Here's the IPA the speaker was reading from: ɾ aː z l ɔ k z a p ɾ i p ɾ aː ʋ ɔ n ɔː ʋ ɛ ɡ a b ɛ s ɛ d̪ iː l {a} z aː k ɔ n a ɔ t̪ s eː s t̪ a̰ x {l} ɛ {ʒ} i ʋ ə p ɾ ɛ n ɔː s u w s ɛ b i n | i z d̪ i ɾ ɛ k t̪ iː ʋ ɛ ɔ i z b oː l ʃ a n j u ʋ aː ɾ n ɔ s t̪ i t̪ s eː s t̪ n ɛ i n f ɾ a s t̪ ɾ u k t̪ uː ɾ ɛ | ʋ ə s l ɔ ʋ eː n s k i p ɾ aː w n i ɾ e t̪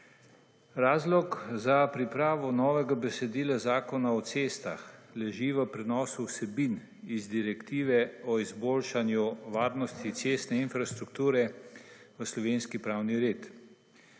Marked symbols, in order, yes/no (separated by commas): yes, yes, yes